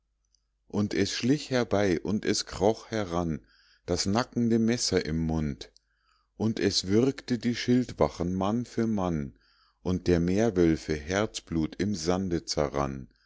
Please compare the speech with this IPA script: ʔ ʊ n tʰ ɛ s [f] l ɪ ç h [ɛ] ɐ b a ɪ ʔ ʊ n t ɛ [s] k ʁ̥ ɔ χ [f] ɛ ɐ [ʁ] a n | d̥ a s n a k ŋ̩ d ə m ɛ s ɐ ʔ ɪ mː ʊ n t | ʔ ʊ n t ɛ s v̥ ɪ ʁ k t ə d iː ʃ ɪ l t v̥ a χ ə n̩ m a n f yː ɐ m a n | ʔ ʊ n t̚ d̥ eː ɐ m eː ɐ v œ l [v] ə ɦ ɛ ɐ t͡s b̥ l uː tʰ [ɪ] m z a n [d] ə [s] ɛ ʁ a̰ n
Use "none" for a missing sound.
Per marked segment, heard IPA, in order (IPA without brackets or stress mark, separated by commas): ʃ, ɛ, s, h, ʁ, f, ɪ, d, t͡s